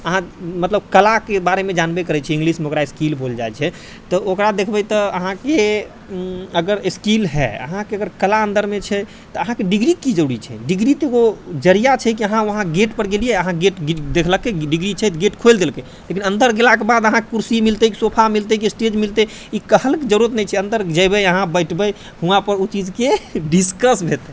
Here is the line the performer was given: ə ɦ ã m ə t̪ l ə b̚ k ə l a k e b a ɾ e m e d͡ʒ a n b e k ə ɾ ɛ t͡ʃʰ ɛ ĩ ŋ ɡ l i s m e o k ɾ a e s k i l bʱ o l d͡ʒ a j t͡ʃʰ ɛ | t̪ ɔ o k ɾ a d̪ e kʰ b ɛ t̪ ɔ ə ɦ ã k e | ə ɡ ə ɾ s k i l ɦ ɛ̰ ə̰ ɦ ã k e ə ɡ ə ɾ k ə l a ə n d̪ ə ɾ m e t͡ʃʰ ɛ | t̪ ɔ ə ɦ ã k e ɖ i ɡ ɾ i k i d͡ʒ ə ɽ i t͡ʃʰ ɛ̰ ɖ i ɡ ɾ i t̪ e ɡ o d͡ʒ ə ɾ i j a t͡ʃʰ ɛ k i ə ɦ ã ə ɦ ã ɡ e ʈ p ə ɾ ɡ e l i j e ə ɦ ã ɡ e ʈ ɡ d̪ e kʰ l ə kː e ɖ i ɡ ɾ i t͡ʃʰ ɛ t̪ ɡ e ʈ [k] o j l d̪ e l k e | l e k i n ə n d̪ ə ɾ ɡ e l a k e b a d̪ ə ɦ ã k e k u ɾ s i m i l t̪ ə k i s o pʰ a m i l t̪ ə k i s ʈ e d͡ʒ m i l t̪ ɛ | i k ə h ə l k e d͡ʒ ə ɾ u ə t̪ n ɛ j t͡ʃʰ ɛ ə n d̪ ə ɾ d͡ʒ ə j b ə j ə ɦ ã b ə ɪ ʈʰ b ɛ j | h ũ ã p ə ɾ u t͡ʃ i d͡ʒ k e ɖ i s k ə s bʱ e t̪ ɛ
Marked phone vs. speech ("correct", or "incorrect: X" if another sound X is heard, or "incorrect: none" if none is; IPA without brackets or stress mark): incorrect: kʰ